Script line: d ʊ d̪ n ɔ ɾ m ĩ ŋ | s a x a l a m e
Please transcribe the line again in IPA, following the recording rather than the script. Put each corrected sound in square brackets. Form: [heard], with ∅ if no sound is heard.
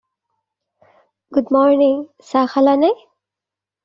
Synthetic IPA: [ɡ] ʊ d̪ [m] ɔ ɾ [n] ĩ ŋ | s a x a l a [n] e